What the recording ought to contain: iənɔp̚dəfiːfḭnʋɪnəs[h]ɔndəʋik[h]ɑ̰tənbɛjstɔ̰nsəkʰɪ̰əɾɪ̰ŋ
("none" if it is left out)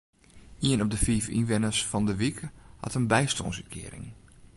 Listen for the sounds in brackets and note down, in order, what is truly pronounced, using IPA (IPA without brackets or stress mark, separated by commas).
f, h